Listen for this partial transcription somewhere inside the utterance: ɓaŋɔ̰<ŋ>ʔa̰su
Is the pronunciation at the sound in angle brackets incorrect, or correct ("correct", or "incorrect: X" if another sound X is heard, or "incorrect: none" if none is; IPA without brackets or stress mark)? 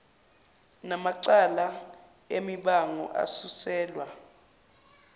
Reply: incorrect: none